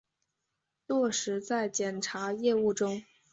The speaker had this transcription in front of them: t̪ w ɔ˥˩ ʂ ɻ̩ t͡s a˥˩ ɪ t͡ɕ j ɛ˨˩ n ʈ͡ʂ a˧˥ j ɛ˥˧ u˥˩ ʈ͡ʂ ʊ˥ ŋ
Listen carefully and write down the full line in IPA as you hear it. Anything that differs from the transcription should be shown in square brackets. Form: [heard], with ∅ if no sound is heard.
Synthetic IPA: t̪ w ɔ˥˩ ʂ ɻ̩ t͡s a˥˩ ɪ t͡ɕ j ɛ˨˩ n [ʈ͡ʂʰ] a˧˥ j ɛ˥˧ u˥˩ ʈ͡ʂ ʊ˥ ŋ